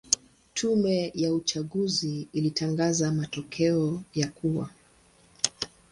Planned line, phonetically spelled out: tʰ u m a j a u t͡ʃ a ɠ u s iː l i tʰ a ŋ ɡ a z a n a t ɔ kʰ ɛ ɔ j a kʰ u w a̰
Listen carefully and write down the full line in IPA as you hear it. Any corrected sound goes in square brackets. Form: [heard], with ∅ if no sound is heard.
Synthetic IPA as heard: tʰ u m [ɛ] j a u t͡ʃ a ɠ u [z] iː l i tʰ a ŋ ɡ a z a [m] a t ɔ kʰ ɛ ɔ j a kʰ u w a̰